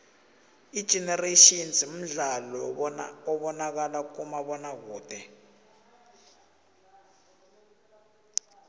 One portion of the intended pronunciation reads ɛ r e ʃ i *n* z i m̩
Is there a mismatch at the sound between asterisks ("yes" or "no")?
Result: no